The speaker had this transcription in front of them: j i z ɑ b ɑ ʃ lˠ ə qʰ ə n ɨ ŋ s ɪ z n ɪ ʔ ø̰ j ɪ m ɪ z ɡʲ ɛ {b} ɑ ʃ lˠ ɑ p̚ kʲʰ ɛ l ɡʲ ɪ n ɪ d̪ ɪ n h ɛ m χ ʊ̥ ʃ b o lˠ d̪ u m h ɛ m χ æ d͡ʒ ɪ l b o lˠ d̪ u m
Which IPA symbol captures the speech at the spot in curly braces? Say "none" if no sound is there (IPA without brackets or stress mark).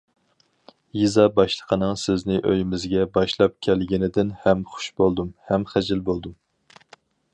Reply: b